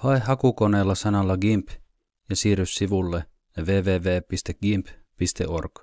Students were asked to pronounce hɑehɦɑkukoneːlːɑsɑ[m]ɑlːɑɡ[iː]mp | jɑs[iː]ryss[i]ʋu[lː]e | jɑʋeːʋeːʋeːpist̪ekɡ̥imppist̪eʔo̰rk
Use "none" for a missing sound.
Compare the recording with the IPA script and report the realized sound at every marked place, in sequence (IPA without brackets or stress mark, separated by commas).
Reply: n, i, iː, i, lː